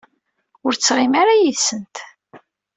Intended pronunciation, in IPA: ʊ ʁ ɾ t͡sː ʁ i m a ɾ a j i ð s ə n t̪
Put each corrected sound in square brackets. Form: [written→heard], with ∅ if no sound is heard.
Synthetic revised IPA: ʊ [ʁ→∅] ɾ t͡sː ʁ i m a ɾ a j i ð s ə n t̪